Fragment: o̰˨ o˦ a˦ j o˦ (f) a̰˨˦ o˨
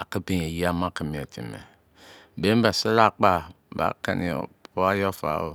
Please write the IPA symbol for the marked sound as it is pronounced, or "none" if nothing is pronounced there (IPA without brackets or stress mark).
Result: f